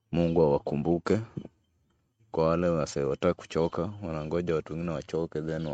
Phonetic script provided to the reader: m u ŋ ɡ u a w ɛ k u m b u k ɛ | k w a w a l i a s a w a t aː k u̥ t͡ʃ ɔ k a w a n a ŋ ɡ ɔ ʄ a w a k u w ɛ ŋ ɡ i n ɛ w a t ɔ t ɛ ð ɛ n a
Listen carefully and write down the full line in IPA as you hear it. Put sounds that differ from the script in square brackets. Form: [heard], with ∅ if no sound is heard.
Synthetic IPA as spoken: m u ŋ ɡ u a w [a] k u m b u k ɛ | k w a w a l [ɛ] a s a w a t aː k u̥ t͡ʃ ɔ k a w a n a ŋ ɡ ɔ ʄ a w a [t] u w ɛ ŋ ɡ i n ɛ w a [t͡ʃ] ɔ [k] ɛ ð ɛ n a